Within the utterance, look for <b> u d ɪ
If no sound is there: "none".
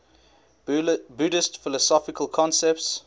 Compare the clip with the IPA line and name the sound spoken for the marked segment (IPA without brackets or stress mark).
b